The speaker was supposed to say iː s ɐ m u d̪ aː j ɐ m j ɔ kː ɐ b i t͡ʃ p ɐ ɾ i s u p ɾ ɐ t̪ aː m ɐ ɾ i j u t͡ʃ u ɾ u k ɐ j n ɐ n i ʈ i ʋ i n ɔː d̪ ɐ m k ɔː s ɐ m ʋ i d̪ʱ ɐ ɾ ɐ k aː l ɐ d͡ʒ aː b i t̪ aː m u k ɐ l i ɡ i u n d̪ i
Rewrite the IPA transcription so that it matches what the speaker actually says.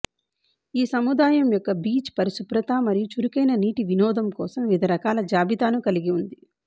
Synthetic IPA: iː s ɐ m u d̪ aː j ɐ m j ɔ kː ɐ b iː t͡ʃ p ɐ ɾ i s u p ɾ ɐ t̪ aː m ɐ ɾ i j u t͡ʃ u ɾ u k ɐ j n ɐ n iː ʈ i ʋ i n ɔː d̪ ɐ m k ɔː s ɐ m ʋ i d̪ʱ ɐ ɾ ɐ k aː l ɐ d͡ʒ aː b i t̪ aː n u k ɐ l i ɡ i u n d̪ i

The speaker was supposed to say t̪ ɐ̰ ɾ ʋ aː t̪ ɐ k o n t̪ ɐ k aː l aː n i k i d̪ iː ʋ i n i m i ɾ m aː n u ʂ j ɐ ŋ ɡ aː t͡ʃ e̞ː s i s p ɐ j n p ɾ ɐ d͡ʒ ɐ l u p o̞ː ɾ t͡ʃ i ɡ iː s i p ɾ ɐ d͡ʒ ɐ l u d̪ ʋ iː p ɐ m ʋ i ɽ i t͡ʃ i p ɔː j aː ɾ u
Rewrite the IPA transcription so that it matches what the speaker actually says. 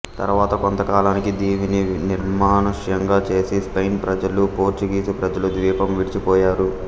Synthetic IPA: t̪ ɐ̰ ɾ ʋ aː t̪ ɐ k o n t̪ ɐ k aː l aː n i k i d̪ iː ʋ i n i n i ɾ m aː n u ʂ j ɐ ŋ ɡ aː t͡ʃ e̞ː s i s p ɐ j n p ɾ ɐ d͡ʒ ɐ l u p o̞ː ɾ t͡ʃ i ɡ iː s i p ɾ ɐ d͡ʒ ɐ l u d̪ ʋ iː p ɐ m ʋ i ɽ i t͡ʃ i p ɔː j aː ɾ u

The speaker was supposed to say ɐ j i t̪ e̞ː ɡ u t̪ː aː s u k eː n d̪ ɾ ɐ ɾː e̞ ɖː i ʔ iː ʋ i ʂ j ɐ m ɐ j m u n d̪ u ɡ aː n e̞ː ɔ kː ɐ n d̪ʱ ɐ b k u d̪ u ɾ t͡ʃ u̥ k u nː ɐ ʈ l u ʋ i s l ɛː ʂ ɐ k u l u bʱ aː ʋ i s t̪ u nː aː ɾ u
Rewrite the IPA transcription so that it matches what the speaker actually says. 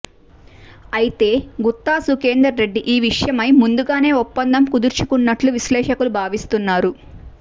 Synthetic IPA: ɐ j i t̪ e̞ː ɡ u t̪ː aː s u k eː n d̪ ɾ ɐ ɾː e̞ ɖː i ʔ iː ʋ i ʂ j ɐ m ɐ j m u n d̪ u ɡ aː n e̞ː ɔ pː ɐ n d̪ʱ ɐ m k u d̪ u ɾ t͡ʃ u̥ k u nː ɐ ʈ l u ʋ i s l ɛː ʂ ɐ k u l u bʱ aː ʋ i s t̪ u nː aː ɾ u

